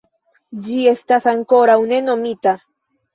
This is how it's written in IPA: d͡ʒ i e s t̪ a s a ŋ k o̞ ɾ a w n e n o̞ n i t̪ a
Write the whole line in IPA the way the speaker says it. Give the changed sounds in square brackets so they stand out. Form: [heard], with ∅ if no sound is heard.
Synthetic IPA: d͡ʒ i e s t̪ a s a ŋ k o̞ ɾ a w n e n o̞ [m] i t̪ a